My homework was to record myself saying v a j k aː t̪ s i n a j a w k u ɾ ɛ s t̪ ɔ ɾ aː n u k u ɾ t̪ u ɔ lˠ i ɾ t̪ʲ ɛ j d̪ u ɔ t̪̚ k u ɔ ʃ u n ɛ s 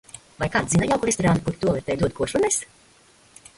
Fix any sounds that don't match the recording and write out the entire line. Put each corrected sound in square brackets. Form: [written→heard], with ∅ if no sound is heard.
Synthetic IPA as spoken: v a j k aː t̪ [s→z] i n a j a w k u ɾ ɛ s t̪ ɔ ɾ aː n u k u ɾ t̪ u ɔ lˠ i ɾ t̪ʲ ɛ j d̪ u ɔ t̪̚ k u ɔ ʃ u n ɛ s

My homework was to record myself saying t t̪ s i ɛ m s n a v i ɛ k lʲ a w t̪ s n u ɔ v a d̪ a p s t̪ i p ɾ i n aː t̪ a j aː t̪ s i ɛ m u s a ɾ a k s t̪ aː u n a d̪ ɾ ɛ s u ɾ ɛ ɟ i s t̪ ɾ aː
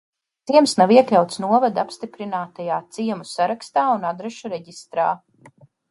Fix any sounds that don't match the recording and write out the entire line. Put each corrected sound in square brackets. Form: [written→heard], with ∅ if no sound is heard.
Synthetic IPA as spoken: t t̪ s i ɛ m s n a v i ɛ k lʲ a w t̪ s n u ɔ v a d̪ a p s t̪ i p ɾ i n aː t̪ a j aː t̪ s i ɛ m u s a ɾ a k s t̪ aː u n a d̪ ɾ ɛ [s→ʃ] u ɾ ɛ ɟ i s t̪ ɾ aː

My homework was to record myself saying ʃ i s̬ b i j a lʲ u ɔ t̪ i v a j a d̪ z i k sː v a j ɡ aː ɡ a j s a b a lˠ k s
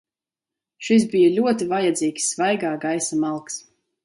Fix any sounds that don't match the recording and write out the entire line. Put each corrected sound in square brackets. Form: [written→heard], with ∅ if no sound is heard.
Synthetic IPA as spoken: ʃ i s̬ b i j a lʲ u ɔ t̪ i v a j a d̪ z [i→iː] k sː v a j ɡ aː ɡ a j s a [b→m] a lˠ k s

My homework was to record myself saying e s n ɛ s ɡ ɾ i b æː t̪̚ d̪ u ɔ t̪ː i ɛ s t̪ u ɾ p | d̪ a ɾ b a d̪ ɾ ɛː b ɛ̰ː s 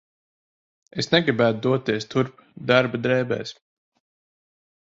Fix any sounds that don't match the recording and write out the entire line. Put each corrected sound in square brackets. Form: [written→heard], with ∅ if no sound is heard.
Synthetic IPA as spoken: e s n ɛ [s→∅] ɡ ɾ i b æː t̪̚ d̪ u ɔ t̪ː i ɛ s t̪ u ɾ p | d̪ a ɾ b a d̪ ɾ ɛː b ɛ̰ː s

